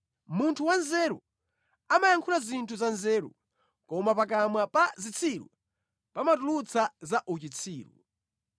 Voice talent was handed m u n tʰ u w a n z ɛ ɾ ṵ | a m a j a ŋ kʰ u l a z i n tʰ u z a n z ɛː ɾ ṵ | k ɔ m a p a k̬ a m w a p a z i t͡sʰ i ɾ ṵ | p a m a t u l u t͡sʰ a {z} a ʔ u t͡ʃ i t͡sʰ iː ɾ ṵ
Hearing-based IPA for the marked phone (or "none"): z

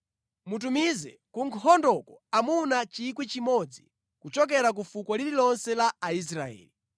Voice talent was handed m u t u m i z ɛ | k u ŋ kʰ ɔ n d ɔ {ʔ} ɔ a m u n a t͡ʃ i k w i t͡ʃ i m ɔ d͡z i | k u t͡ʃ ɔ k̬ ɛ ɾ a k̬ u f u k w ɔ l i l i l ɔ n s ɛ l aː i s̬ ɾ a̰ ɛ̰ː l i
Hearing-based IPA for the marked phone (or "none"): k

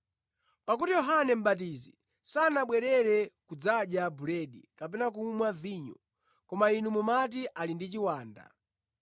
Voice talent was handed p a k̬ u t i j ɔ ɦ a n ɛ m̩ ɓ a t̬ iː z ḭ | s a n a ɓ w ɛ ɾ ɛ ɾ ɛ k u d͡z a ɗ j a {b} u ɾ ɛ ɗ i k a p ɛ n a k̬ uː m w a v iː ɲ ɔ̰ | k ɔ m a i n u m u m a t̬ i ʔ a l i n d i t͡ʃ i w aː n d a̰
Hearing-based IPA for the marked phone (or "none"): b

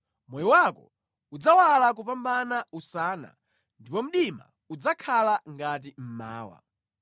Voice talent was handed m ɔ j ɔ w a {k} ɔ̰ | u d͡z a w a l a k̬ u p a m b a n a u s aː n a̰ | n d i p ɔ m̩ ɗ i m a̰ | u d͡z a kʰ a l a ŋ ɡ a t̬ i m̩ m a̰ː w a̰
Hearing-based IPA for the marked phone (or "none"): k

